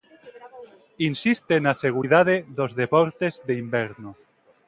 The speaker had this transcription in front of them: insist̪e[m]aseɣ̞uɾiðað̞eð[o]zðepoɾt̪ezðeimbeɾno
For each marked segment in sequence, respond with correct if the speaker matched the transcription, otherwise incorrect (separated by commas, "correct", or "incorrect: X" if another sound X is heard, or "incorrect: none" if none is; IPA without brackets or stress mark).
incorrect: n, correct